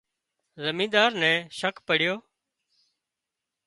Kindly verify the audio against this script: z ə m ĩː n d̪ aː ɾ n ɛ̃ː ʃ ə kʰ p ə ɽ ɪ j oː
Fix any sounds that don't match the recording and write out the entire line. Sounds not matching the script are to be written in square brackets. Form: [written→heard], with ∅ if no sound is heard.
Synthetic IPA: z ə m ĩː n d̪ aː ɾ n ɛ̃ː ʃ ə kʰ p ə ɽ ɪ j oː